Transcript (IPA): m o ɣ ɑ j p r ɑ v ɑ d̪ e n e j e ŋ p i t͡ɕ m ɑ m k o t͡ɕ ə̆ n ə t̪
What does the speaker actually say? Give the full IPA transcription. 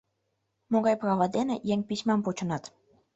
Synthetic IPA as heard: m o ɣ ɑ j p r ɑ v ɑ d̪ e n e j e ŋ p i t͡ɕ m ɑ m p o t͡ɕ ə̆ n ɑ t̪